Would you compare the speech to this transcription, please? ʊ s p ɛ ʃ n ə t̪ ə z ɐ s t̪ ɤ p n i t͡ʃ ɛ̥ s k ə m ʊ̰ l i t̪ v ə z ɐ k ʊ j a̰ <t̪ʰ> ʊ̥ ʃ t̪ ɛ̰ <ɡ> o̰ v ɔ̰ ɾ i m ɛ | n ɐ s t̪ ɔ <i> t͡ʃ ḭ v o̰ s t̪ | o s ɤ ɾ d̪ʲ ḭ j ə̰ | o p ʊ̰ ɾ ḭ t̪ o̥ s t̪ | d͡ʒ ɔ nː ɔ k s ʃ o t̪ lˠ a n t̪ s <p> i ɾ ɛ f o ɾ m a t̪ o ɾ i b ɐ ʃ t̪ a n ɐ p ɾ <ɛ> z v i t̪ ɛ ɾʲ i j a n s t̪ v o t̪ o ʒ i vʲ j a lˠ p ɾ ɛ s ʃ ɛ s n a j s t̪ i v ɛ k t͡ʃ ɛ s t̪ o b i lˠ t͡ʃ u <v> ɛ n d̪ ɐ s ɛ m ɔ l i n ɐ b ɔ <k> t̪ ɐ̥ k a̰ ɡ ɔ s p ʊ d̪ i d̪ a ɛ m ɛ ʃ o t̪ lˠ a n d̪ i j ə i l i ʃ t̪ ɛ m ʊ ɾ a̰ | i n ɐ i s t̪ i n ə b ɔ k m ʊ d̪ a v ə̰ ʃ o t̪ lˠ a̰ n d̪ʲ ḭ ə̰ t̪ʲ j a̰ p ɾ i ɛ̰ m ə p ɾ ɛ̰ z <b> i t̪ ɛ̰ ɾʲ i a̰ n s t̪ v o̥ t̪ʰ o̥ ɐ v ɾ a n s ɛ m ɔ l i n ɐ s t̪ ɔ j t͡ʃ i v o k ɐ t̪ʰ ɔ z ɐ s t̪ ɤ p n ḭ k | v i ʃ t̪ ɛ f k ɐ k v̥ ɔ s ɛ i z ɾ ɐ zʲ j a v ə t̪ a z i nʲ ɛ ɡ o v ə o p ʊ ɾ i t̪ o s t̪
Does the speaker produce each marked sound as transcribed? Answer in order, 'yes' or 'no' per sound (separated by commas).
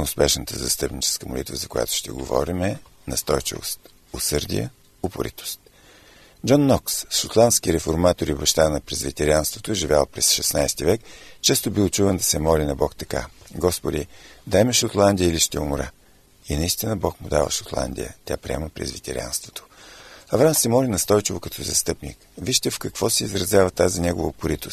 no, yes, no, no, yes, yes, yes, no